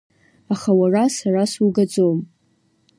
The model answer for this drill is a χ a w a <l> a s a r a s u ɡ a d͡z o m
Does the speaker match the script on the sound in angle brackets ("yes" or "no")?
no